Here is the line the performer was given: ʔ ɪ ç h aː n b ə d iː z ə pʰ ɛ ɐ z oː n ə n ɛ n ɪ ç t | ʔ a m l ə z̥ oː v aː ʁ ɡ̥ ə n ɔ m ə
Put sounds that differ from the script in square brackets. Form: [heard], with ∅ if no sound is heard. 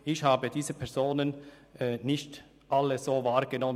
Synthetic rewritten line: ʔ ɪ ç h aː [∅] b ə d iː z ə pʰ ɛ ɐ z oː n ə n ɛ n ɪ ç t | ʔ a [∅] l ə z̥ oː v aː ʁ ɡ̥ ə n ɔ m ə